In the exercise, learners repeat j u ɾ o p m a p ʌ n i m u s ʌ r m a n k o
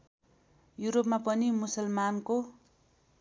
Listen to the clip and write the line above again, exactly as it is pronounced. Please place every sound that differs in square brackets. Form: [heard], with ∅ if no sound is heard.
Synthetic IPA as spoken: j u ɾ o p m a p ʌ n i m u s ʌ [l] m a n k o